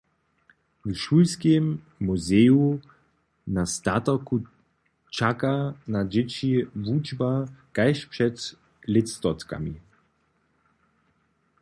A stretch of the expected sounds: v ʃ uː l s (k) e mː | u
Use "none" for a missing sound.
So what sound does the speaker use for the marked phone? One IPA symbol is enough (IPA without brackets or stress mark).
k